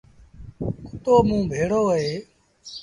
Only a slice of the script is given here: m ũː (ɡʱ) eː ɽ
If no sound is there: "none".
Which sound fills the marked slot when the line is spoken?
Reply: bʱ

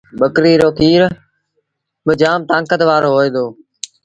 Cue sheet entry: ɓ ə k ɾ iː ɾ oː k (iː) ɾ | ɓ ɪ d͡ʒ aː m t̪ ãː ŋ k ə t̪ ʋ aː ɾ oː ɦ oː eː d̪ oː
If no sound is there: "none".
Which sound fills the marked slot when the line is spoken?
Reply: iː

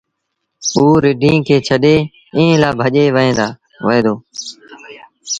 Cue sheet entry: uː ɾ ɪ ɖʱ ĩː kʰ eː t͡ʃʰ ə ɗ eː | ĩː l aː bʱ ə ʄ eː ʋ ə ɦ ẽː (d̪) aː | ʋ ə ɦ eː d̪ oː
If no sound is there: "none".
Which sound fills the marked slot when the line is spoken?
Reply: d̪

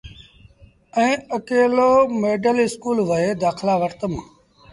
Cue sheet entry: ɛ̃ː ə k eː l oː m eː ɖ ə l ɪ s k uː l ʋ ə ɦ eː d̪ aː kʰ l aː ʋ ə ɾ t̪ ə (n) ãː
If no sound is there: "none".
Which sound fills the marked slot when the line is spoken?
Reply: m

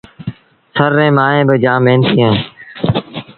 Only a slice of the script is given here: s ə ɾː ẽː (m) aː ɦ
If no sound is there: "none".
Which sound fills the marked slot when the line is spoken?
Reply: m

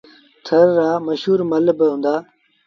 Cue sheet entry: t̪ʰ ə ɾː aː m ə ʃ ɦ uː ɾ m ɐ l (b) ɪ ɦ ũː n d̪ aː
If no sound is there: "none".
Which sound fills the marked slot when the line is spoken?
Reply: b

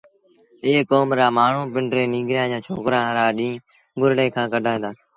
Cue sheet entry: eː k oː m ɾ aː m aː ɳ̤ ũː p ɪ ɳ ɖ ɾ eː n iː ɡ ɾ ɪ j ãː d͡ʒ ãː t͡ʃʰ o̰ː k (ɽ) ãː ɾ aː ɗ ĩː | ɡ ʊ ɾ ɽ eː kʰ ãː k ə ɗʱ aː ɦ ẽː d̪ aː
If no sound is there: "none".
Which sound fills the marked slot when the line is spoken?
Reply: ɾ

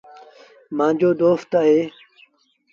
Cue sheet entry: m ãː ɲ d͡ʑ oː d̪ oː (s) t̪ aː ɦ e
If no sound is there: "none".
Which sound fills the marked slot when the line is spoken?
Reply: f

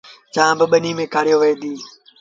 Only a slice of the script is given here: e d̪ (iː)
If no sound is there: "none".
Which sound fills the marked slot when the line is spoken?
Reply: iː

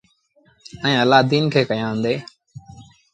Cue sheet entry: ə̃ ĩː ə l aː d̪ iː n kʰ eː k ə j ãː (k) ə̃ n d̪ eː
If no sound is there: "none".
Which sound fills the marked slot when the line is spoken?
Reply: none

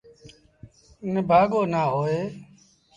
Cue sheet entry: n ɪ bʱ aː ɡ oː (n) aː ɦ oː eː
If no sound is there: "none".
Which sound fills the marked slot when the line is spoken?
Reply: n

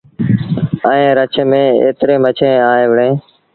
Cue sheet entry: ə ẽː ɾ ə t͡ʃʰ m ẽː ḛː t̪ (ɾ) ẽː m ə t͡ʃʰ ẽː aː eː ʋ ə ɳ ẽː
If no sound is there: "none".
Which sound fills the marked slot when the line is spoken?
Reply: ɾ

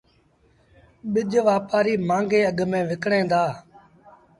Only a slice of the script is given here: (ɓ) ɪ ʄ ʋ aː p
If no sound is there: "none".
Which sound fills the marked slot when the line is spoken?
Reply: ɓ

